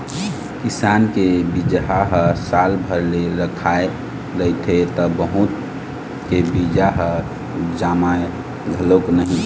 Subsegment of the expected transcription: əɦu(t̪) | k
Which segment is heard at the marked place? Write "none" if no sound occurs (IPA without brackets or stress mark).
t̪